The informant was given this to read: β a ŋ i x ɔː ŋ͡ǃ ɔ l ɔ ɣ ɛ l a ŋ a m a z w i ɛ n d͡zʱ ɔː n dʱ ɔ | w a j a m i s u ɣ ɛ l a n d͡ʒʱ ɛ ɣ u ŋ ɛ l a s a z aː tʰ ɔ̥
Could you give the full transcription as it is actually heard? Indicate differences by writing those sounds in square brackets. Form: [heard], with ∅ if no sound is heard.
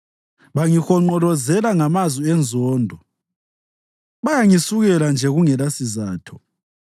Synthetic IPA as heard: β a ŋ i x [ɔ] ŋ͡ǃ ɔ l ɔ [z] ɛ l a ŋ a m a z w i ɛ n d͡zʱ ɔː n dʱ ɔ | [β] a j a [ŋ] i s u ɣ ɛ l a n d͡ʒʱ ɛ ɣ u ŋ ɛ l a s [i] z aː tʰ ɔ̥